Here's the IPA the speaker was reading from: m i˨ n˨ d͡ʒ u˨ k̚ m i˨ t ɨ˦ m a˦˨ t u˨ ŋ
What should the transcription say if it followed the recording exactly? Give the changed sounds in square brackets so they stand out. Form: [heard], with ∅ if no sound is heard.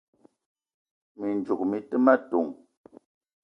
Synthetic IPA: m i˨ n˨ d͡ʒ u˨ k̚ m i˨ t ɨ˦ m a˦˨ t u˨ ŋ